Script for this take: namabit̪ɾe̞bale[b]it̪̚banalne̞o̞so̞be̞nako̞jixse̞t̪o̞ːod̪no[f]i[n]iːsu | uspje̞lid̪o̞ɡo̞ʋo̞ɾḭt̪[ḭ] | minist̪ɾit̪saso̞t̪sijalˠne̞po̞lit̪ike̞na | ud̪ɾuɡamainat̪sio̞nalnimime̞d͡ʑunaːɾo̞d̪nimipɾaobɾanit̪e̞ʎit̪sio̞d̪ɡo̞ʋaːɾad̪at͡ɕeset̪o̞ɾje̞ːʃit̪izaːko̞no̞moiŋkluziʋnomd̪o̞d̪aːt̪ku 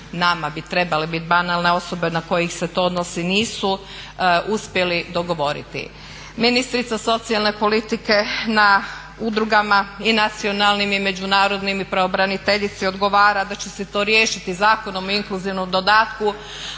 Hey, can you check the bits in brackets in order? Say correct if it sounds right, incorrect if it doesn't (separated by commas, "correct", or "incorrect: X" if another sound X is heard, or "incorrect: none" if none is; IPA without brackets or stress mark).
correct, incorrect: s, correct, correct